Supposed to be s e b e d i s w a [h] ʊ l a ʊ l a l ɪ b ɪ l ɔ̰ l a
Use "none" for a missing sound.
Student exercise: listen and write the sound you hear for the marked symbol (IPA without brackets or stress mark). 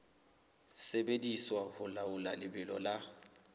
h